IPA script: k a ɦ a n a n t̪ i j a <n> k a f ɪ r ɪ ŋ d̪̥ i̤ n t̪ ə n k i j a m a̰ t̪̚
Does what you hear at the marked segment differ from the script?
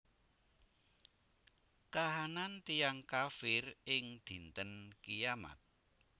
yes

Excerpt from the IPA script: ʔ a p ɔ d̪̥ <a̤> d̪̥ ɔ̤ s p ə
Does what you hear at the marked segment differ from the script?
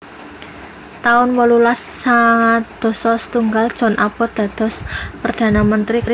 no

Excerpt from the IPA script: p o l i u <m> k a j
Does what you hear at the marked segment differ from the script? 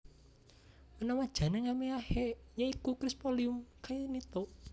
no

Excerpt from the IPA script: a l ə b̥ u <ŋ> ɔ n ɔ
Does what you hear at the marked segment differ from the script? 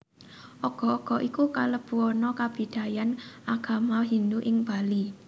yes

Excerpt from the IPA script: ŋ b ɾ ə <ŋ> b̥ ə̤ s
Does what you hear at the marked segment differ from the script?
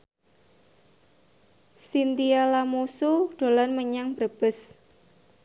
yes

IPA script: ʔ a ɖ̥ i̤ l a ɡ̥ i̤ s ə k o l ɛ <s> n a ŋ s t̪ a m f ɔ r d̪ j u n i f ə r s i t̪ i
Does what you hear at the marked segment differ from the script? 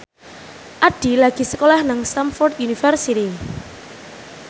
yes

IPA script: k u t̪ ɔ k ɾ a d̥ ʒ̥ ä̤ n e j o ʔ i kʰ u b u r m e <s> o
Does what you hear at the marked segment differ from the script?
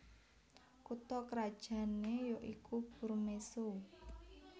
no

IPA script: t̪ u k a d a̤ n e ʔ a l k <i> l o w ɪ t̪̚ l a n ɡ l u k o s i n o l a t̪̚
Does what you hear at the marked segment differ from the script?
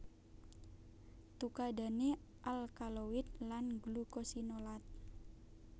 yes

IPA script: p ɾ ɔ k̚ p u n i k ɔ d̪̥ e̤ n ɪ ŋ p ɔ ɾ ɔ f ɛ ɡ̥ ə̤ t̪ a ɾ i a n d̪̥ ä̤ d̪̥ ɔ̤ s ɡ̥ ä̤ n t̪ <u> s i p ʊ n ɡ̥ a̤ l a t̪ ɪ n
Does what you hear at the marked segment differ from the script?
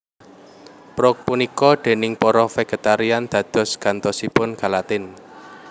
yes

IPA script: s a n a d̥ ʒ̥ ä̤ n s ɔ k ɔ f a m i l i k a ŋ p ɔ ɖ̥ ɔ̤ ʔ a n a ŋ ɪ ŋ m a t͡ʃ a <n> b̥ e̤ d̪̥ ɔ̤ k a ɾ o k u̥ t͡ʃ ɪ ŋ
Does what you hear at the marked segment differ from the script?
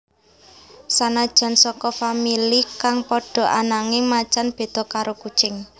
no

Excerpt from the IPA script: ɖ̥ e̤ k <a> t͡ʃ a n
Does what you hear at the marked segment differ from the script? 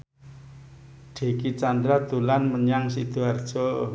yes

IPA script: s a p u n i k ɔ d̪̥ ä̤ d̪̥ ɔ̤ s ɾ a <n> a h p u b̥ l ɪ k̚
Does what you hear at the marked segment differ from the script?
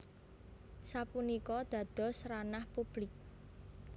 no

